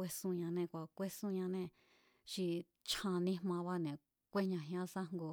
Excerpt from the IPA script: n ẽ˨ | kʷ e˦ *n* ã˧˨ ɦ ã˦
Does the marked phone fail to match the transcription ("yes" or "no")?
yes